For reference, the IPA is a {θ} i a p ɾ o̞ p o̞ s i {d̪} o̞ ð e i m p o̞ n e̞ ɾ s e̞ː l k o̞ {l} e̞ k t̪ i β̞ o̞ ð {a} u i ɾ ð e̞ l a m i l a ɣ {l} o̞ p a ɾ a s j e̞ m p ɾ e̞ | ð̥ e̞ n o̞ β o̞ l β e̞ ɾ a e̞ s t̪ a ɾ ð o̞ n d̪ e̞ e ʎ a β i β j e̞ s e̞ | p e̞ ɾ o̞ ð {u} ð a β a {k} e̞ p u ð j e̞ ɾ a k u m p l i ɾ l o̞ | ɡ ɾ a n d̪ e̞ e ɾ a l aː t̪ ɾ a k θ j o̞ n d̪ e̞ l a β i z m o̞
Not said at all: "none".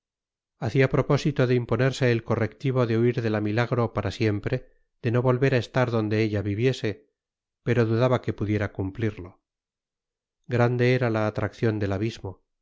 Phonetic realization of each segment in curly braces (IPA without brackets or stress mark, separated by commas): θ, t̪, r, e, ɾ, u, k